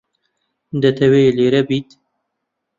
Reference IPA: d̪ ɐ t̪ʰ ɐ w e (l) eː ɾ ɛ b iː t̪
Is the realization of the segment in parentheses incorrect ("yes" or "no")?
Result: no